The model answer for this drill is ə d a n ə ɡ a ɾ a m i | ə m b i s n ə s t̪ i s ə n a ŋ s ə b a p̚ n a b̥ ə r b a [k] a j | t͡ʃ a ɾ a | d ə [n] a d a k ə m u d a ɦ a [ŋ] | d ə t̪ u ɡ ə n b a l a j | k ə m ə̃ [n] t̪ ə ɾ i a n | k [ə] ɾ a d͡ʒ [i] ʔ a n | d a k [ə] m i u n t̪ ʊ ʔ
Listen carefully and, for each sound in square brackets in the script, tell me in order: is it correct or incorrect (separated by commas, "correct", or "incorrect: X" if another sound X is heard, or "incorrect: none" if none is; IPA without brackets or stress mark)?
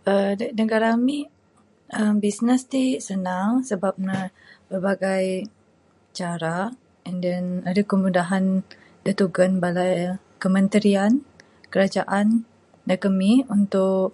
incorrect: ɡ, correct, incorrect: n, correct, correct, incorrect: a, correct